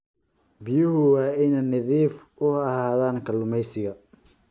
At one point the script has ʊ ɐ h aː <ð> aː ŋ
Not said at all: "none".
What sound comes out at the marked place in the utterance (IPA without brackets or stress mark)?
ð